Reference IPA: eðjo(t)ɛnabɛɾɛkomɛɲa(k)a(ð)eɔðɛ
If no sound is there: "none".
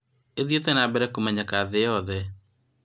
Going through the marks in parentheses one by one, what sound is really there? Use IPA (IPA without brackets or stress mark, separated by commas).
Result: t, k, ð